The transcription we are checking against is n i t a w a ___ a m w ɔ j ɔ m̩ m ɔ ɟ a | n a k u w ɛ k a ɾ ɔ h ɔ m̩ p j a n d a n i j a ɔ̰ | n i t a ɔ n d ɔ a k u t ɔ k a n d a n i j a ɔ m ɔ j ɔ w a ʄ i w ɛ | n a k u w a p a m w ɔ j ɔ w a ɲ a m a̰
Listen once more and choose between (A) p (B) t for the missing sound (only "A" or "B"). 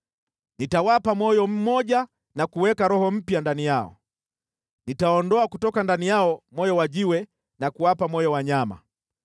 A